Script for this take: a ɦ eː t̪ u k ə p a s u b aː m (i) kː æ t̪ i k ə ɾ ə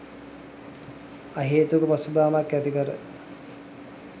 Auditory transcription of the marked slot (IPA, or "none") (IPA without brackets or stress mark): a